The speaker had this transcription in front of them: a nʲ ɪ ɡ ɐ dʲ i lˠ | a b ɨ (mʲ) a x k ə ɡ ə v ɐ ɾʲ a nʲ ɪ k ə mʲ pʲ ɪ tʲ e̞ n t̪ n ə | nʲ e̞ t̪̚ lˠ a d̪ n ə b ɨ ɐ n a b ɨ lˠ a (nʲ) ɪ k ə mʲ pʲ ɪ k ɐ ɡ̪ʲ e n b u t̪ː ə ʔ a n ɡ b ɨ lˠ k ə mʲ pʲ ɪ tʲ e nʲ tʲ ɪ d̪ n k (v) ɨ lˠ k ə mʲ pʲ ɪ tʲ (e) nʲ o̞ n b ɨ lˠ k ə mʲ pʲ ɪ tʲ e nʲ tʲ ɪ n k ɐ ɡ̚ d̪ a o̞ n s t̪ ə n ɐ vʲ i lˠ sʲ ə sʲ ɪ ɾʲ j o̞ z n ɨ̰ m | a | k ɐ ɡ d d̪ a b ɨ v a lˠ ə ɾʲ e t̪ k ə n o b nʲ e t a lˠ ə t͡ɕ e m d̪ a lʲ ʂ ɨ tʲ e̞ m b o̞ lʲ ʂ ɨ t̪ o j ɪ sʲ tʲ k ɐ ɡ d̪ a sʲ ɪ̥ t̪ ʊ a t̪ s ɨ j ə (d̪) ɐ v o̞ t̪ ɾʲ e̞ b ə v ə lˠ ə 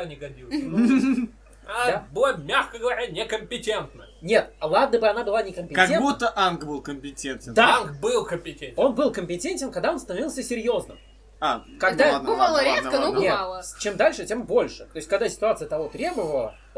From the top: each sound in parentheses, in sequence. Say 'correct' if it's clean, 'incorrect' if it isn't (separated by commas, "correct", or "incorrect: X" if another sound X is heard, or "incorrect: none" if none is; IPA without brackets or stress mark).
correct, correct, incorrect: b, correct, incorrect: t̪